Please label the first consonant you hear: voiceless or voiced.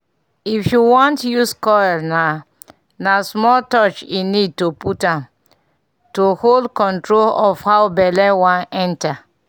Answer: voiceless